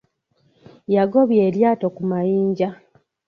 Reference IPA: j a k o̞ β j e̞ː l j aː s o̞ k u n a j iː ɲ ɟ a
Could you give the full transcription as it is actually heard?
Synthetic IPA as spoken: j a ɡ o̞ β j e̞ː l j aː t o̞ k u m a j iː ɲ ɟ a

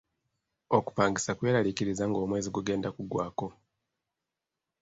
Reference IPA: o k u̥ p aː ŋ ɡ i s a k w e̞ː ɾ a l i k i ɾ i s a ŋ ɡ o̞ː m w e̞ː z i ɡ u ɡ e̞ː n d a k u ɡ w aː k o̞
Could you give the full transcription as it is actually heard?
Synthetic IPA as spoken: o k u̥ p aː ŋ ɡ i s a k w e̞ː ɾ a l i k i ɾ i z a ŋ ɡ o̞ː m w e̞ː z i ɡ u ɡ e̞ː n d a k u ɡ w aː k o̞

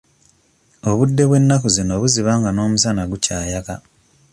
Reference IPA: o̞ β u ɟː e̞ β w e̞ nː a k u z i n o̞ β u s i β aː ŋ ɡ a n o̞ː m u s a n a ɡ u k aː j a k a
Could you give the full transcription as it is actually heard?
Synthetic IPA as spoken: o̞ β u dː e̞ β w e̞ nː a k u z i n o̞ β u z i β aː ŋ ɡ a n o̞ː m u s a n a ɡ u c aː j a k a

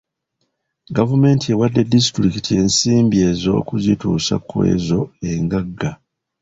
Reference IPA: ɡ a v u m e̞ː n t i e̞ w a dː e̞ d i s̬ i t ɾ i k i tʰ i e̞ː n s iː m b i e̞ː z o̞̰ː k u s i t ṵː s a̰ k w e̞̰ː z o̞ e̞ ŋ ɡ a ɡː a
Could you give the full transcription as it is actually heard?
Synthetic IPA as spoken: ɡ a v u m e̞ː n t i e̞ w a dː e̞ d i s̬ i t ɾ i k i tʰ i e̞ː n s iː m b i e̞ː z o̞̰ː k u z i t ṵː s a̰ k w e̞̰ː z o̞ e̞ ŋ ɡ a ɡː a

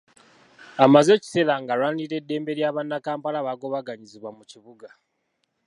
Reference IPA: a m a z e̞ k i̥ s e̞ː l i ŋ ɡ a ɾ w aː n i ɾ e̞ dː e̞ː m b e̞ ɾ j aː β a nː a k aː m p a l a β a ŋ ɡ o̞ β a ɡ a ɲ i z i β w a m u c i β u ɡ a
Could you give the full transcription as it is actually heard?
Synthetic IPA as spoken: a m a z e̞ c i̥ s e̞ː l a ŋ ɡ a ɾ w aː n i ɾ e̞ dː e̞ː m b e̞ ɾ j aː β a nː a k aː m p a l a β a ɡ o̞ β a ɡ a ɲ i z i β w a m u c i β u ɡ a

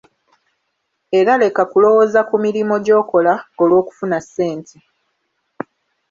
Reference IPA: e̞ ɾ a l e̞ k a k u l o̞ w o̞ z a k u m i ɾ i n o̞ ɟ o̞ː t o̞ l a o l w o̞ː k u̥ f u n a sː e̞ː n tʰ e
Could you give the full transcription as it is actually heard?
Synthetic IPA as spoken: e̞ ɾ a l e̞ k a k u l o̞ w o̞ z a k u m i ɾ i m o̞ ɟ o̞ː k o̞ l a o l w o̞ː k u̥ f u n a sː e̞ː n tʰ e

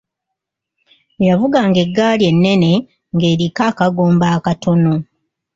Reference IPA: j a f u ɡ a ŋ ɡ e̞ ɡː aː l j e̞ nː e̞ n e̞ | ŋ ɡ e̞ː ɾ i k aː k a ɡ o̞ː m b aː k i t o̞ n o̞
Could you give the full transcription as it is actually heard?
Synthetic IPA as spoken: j a v u ɡ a ŋ ɡ e̞ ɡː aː l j e̞ nː e̞ n e̞ | ŋ ɡ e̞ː ɾ i k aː k a ɡ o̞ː m b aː k a t o̞ n o̞

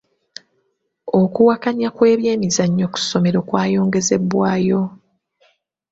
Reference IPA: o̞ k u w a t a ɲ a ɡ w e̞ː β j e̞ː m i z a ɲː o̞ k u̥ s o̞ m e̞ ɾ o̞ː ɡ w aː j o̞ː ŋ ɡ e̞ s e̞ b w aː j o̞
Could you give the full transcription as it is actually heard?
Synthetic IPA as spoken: o̞ k u w a k a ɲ a k w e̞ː β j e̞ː m i z a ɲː o̞ k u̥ s o̞ m e̞ ɾ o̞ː k w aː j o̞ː ŋ ɡ e̞ z e̞ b w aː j o̞

